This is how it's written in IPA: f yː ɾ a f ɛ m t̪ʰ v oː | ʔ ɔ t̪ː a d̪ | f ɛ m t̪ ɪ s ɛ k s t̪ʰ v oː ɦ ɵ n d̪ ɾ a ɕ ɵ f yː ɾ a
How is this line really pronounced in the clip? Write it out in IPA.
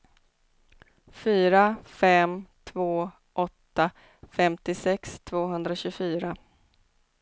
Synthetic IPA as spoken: f yː ɾ a f ɛ m t̪ʰ v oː | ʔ ɔ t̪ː a | f ɛ m t̪ ɪ s ɛ k s t̪ʰ v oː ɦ ɵ n d̪ ɾ a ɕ ɵ f yː ɾ a